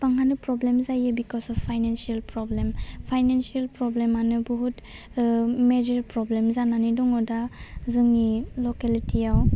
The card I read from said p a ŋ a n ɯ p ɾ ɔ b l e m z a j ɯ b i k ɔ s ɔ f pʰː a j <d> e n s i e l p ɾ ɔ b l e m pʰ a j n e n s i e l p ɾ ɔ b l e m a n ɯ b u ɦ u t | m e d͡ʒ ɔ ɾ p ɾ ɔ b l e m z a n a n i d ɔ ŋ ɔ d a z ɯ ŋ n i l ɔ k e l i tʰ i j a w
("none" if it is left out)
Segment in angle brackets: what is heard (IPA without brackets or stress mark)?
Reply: n